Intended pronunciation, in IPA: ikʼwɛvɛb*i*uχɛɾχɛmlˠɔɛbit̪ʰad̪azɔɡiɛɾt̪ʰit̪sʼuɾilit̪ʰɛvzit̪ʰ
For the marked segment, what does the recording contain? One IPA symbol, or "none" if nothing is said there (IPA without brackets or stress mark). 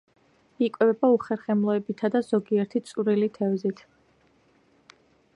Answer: a